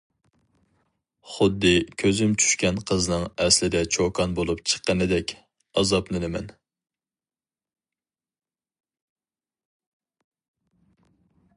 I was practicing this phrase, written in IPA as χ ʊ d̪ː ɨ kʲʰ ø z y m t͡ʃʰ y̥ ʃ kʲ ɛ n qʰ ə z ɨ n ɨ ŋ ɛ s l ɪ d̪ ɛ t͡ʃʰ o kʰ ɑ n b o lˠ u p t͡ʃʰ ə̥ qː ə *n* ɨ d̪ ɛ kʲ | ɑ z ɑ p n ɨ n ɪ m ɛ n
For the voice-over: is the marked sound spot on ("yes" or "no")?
yes